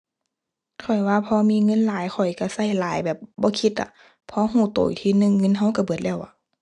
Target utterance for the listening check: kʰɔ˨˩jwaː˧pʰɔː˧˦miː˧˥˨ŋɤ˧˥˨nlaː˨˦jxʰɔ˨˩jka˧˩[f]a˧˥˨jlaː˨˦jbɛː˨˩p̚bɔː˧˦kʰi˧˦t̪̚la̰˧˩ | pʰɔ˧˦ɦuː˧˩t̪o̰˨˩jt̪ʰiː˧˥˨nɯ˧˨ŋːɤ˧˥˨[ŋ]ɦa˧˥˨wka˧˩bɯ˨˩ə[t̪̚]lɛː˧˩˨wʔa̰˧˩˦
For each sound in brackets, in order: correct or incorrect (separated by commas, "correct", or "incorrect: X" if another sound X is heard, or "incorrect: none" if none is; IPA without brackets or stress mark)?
incorrect: s, incorrect: n, correct